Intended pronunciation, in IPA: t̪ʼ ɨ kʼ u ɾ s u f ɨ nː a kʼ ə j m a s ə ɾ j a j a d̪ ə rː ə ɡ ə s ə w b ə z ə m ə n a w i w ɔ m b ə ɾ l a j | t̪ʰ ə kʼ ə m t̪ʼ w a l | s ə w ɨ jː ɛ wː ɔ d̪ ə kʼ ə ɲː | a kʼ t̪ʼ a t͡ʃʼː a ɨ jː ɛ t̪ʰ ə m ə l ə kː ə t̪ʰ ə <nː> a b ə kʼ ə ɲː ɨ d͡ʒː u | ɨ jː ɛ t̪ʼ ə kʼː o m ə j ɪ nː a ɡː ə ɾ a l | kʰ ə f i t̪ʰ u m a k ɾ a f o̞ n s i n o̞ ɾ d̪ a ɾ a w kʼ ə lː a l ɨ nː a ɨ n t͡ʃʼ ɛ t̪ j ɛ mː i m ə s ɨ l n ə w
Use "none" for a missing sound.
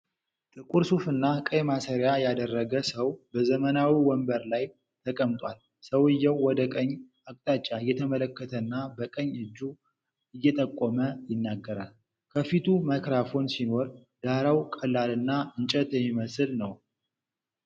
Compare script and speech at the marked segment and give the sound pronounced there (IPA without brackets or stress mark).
nː